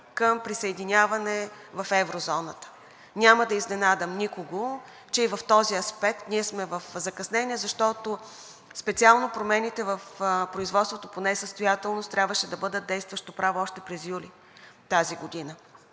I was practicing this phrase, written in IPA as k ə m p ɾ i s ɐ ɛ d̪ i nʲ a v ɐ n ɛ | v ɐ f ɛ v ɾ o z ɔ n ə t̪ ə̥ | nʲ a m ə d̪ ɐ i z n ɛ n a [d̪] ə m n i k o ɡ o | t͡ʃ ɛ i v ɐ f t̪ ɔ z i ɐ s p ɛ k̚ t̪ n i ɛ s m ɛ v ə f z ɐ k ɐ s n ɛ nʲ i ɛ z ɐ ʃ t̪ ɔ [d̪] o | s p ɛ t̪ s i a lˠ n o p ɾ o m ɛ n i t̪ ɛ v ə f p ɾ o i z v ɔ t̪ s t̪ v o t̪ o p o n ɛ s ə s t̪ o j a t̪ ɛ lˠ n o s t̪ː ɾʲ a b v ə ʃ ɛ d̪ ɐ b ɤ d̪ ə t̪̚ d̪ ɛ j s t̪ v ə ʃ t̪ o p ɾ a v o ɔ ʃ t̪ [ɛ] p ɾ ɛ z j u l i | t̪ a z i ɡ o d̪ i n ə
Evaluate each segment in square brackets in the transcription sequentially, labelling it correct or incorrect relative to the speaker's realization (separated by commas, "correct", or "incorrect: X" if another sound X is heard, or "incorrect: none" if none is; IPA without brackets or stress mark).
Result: correct, incorrect: t̪, correct